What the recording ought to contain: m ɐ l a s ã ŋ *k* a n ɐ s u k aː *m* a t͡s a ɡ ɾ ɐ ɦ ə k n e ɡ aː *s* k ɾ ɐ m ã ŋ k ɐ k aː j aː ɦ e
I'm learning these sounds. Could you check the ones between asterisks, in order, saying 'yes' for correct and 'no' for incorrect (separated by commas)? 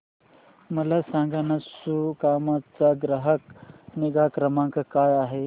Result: no, yes, no